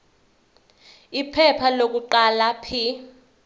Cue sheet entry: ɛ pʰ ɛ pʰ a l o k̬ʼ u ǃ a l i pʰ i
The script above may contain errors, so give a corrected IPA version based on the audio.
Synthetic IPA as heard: i pʰ ɛ pʰ a l o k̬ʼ u ǃ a l a pʰ i